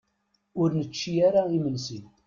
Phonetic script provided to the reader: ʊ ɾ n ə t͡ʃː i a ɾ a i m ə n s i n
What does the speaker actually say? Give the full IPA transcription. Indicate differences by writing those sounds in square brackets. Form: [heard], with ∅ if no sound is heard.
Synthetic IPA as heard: ʊ ɾ n ə t͡ʃː i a ɾ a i m ə n s i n